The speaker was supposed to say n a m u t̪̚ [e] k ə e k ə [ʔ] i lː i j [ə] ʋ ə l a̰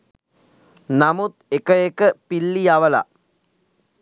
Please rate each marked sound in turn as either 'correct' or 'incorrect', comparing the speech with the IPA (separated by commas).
correct, incorrect, incorrect